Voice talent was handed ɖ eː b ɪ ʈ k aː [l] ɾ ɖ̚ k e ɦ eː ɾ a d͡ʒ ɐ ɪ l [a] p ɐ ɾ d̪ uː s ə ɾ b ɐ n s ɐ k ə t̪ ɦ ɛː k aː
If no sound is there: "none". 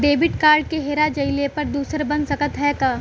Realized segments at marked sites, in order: none, e

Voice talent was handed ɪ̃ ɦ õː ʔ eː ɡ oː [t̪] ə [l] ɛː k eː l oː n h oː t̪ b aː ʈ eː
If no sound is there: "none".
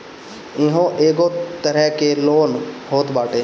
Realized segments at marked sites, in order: t̪, ɾ

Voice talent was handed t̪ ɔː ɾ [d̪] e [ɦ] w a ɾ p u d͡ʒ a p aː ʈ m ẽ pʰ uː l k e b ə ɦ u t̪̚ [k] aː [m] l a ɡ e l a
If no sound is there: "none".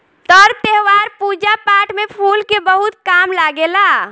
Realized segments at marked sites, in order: t̪, ɦ, k, m

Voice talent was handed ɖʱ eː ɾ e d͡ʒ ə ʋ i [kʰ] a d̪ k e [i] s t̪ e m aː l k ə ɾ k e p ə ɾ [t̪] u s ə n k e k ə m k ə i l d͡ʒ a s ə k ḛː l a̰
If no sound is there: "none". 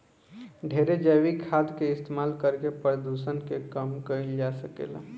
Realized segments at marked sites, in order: kʰ, ɪ, d̪

